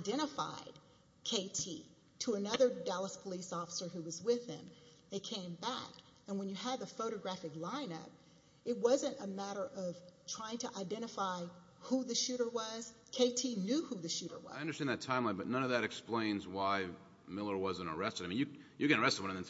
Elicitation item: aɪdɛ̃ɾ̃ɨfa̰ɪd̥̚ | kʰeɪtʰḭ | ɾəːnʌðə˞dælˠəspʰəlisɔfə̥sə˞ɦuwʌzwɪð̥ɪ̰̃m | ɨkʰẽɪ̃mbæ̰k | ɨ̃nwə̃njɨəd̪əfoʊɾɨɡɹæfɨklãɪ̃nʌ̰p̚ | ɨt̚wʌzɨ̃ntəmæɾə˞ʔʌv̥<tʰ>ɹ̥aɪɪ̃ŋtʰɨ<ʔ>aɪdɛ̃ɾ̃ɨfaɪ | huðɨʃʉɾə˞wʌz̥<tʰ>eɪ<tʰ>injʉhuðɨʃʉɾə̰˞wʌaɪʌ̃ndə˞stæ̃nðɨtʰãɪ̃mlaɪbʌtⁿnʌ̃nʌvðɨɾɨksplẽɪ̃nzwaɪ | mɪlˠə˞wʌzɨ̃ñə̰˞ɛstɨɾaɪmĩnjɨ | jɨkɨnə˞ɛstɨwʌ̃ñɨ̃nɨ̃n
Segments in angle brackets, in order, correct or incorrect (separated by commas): correct, correct, incorrect, correct